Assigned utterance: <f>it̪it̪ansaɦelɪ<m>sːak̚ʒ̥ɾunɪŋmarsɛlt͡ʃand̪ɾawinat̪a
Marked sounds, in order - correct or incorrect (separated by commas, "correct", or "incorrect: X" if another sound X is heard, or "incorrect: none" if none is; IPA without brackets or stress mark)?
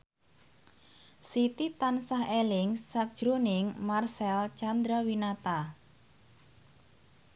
incorrect: s, incorrect: ŋ